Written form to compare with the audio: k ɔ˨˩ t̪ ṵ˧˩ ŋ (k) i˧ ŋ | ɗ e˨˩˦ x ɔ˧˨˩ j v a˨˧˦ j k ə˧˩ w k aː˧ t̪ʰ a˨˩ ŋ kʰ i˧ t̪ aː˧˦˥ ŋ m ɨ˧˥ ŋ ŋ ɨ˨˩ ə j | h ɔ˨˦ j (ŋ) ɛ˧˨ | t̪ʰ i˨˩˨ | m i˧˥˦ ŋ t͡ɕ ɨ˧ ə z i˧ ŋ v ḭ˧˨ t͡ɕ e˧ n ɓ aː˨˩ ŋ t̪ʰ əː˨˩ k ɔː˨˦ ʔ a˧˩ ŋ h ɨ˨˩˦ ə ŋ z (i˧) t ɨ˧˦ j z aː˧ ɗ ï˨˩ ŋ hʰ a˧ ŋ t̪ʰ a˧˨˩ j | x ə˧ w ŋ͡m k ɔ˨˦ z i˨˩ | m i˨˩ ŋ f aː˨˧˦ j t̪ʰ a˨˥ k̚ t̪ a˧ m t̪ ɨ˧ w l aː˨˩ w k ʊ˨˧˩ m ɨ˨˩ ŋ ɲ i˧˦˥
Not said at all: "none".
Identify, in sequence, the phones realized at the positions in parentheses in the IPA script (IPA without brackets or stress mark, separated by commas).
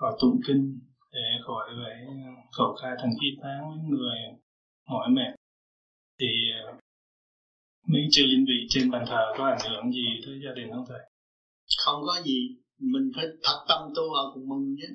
k, m, i˨˩